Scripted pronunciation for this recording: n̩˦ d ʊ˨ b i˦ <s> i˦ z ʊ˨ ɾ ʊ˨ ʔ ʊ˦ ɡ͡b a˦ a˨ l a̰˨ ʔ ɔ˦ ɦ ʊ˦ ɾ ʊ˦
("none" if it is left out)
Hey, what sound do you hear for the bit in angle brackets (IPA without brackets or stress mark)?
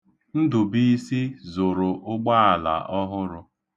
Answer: s